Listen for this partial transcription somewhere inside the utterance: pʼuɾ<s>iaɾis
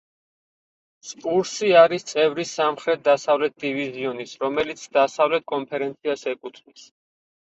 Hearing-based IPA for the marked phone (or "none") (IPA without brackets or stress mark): s